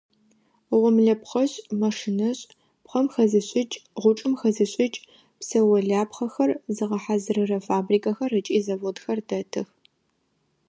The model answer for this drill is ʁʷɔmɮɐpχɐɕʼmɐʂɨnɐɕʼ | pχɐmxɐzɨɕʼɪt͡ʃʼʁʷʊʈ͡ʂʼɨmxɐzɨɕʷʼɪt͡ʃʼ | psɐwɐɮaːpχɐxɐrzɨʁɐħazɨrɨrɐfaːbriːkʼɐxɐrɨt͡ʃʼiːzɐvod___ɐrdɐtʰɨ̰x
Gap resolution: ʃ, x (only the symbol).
x